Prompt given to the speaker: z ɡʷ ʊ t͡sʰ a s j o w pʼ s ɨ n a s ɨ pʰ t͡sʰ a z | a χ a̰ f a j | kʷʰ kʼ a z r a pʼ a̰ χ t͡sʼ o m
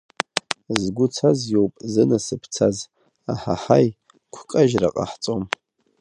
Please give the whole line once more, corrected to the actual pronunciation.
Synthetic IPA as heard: z ɡʷ ʊ t͡sʰ a z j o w pʼ z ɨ n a s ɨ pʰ t͡sʰ a z | a ħ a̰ ħ a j | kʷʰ kʼ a ʒ r a qʼ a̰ ħ t͡sʼ o m